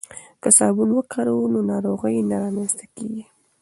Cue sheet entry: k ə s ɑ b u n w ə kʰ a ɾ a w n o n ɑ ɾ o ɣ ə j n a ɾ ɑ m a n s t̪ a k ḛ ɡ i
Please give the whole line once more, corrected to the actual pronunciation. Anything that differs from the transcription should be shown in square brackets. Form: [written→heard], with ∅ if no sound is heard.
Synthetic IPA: k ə s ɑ b u n w ə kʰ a ɾ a w n o n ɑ ɾ o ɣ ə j n a ɾ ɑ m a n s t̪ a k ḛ ɡ i